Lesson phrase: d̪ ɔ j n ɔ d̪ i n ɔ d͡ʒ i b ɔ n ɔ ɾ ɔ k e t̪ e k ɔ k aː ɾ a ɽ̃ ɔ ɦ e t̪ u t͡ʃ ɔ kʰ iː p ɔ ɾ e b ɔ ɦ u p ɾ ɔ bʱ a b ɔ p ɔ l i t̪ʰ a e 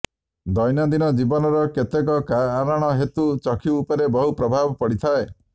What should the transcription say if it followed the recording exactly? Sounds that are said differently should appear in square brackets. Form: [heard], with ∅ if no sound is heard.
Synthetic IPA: d̪ ɔ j n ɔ d̪ i n ɔ d͡ʒ i b ɔ n ɔ ɾ ɔ k e t̪ e k ɔ k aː ɾ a ɽ̃ ɔ ɦ e t̪ u t͡ʃ ɔ kʰ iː p ɔ ɾ e b ɔ ɦ u p ɾ ɔ bʱ a b ɔ p ɔ [ɽ] i t̪ʰ a e

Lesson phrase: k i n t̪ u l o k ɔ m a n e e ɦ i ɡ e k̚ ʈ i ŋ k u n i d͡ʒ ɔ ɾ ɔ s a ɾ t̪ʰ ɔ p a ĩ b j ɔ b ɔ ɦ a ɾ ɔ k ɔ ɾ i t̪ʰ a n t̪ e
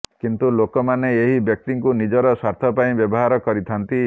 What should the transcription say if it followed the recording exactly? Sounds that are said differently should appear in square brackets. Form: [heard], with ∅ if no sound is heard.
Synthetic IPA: k i n t̪ u l o k ɔ m a n e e ɦ i [b] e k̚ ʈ i ŋ k u n i d͡ʒ ɔ ɾ ɔ s a ɾ t̪ʰ ɔ p a ĩ b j ɔ b ɔ ɦ a ɾ ɔ k ɔ ɾ i t̪ʰ a n t̪ [i]

